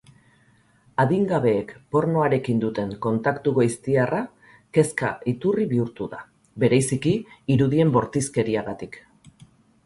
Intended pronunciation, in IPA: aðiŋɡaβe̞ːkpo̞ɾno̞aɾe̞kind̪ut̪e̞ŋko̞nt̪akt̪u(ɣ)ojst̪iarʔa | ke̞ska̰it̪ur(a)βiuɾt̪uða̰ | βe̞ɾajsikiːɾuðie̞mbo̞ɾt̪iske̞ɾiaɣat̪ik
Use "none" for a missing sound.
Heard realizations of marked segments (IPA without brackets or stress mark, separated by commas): ɣ, i